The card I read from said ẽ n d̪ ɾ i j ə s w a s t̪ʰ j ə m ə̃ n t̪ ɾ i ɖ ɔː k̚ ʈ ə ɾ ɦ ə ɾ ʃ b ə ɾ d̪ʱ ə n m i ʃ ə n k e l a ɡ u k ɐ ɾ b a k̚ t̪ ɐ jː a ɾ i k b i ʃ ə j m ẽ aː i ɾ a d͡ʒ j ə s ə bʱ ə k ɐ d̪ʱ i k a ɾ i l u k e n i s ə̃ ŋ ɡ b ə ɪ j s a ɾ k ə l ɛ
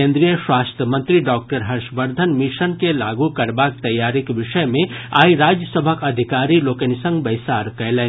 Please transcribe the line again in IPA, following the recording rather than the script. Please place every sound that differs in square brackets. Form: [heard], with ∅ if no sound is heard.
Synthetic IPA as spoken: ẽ n d̪ ɾ i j ə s w a s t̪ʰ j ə m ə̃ n t̪ ɾ i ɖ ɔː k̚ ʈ ə ɾ ɦ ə ɾ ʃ b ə ɾ d̪ʱ ə n m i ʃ ə n k e l a ɡ u k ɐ ɾ b a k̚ t̪ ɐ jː a ɾ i k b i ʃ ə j m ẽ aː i ɾ a d͡ʒ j ə s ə bʱ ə k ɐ d̪ʱ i k a ɾ i l [o] k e n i s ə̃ ŋ ɡ b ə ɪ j s a ɾ k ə l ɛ